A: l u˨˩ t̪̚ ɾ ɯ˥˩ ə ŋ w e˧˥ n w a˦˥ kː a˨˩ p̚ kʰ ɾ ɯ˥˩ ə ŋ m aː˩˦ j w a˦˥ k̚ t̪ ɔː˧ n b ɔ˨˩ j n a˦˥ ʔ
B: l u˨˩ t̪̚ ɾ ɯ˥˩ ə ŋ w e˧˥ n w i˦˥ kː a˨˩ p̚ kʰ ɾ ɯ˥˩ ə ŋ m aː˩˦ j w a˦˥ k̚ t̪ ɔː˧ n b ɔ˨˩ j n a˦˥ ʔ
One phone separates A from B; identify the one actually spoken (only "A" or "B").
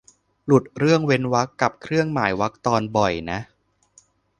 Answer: A